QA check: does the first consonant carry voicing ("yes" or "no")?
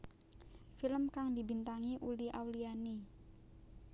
no